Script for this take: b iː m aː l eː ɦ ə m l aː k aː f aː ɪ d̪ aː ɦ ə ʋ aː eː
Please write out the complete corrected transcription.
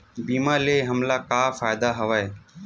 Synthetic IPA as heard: b iː m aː l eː ɦ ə m l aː k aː f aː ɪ d̪ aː ɦ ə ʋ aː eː